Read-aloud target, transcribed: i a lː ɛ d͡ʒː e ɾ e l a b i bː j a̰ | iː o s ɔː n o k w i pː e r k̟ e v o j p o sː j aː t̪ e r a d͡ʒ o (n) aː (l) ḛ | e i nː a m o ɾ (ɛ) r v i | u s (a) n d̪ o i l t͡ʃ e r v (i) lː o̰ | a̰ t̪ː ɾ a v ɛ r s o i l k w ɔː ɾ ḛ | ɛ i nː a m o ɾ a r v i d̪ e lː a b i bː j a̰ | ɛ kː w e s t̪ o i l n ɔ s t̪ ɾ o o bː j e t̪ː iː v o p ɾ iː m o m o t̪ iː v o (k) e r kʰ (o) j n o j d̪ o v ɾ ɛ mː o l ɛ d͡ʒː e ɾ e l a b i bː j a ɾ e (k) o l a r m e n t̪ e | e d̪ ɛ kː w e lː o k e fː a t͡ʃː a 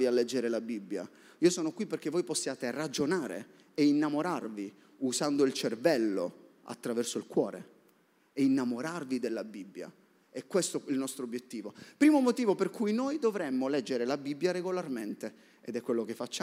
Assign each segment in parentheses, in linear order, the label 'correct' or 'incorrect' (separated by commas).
correct, incorrect, incorrect, correct, incorrect, incorrect, incorrect, incorrect